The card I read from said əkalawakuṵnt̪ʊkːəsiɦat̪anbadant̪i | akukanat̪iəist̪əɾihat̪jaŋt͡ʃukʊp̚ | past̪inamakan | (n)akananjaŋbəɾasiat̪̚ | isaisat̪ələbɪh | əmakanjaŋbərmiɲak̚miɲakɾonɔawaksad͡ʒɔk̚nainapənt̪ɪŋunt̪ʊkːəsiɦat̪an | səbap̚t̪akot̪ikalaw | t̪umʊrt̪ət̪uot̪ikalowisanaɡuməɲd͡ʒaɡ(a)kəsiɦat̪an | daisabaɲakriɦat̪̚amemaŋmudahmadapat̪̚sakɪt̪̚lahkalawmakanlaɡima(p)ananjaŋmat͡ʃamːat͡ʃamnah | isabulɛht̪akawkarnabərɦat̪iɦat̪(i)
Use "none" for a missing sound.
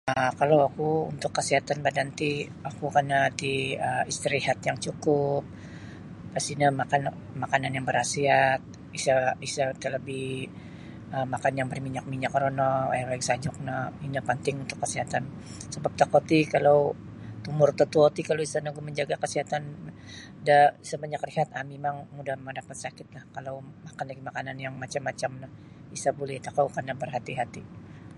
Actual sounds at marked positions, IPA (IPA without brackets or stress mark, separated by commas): m, a, k, i